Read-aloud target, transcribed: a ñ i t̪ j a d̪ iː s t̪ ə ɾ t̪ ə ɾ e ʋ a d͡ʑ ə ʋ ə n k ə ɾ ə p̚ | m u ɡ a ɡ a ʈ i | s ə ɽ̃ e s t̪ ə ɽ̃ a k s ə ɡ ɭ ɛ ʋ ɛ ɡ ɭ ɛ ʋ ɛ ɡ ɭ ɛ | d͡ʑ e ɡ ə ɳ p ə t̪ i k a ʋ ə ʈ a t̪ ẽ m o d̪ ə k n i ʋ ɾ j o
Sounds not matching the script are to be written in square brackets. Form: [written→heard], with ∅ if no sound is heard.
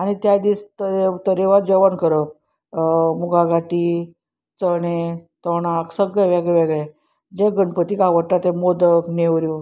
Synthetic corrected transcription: a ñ i t̪ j a d̪ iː s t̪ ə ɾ t̪ ə ɾ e ʋ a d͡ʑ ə ʋ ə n k ə ɾ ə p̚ | m u ɡ a ɡ a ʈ i | [s→t͡s] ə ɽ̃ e [s→∅] t̪ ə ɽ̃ a k s ə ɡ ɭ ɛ ʋ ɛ ɡ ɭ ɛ ʋ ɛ ɡ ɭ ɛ | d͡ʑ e ɡ ə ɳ p ə t̪ i k a ʋ ə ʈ a t̪ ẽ m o d̪ ə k n [i→e] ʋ ɾ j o